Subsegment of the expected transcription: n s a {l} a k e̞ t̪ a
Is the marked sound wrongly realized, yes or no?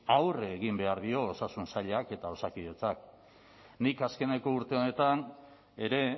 yes